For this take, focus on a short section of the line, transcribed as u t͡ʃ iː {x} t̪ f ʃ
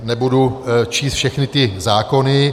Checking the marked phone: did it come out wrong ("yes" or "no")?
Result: yes